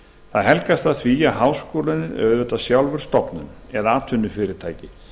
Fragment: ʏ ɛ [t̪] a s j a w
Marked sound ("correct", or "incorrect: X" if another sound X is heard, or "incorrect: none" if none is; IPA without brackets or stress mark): correct